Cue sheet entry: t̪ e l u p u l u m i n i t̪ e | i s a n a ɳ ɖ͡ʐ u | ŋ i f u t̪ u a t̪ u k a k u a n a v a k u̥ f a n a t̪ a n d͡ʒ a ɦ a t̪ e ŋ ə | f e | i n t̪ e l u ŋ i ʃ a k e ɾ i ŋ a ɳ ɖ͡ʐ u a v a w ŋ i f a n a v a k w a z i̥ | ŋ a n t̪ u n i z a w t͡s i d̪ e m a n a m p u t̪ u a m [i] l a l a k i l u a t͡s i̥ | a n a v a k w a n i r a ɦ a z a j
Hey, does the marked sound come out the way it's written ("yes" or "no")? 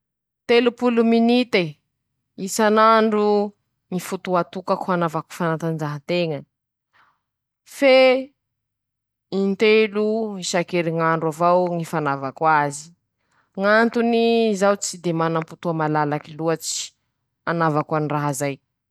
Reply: no